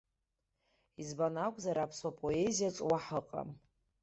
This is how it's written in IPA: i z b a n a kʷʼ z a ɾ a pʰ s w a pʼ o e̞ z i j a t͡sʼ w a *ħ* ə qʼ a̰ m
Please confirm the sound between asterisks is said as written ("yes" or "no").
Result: yes